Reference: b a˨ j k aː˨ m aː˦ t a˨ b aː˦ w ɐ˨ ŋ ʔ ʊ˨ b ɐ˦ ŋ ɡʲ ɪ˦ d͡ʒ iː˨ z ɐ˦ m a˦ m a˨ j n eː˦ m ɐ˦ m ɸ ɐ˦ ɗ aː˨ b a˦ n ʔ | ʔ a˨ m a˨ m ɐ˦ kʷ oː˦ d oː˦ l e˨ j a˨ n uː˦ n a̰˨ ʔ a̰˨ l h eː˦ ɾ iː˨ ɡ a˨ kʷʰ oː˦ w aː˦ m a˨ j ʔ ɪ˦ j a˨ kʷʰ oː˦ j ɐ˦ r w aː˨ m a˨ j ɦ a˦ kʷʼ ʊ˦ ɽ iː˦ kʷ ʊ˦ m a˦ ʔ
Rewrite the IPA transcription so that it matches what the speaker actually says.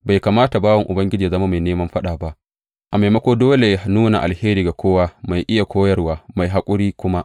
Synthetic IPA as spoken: b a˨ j k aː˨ m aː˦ t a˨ b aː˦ w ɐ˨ ŋ ʔ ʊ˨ b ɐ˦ ŋ ɡʲ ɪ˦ d͡ʒ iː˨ z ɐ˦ m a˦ m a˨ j n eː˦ m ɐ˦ m ɸ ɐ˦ ɗ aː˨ b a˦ ʔ | ʔ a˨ m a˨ m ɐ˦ kʷ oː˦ d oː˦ l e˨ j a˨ n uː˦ n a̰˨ ʔ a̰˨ l h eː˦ ɾ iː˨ ɡ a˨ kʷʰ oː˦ w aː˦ m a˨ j ʔ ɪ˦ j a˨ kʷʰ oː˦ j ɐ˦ r w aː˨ m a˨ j ɦ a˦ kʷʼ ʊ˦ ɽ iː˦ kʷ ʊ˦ m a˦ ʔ